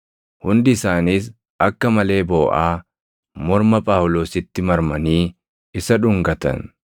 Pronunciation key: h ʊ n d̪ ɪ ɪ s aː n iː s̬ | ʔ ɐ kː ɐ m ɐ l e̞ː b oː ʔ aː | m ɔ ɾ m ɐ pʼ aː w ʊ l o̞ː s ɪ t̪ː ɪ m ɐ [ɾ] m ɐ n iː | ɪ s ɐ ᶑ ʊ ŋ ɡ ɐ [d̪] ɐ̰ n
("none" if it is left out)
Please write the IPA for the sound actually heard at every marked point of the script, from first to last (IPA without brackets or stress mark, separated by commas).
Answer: ɾ, t̪